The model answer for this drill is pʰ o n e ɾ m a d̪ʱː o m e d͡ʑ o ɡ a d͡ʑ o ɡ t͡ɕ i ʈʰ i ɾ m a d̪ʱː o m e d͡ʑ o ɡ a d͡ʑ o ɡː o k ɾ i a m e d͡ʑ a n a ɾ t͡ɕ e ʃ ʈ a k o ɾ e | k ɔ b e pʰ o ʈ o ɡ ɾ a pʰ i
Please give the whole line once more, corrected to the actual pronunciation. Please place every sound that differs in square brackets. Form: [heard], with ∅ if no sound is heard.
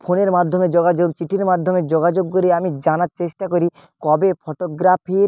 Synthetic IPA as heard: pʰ o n e ɾ m a d̪ʱː o m e d͡ʑ o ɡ a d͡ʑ o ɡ t͡ɕ i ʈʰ i ɾ m a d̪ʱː o m e d͡ʑ o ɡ a d͡ʑ o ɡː o [∅] ɾ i a m [i] d͡ʑ a n a ɾ t͡ɕ e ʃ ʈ a k o ɾ [i] | k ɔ b e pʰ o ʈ o ɡ ɾ a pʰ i